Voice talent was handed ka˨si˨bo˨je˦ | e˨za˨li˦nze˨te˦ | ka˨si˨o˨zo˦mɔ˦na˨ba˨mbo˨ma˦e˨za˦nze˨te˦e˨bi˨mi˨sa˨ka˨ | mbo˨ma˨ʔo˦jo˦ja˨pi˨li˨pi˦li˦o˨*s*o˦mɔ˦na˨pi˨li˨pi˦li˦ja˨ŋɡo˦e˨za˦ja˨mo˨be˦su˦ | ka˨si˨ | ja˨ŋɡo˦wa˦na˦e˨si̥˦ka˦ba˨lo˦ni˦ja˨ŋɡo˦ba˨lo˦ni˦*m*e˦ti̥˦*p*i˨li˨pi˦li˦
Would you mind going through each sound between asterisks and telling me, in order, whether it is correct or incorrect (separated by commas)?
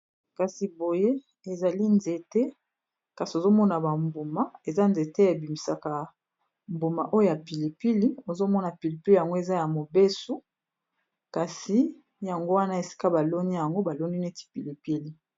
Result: incorrect, incorrect, correct